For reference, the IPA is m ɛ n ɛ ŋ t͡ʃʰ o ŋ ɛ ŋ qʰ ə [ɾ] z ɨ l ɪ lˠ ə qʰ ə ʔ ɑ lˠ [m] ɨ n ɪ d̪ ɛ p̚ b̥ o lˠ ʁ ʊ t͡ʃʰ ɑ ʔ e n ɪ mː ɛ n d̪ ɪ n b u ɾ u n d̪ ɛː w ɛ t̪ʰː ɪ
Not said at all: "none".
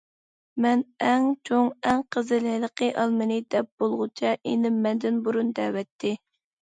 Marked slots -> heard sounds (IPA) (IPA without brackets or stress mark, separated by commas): none, m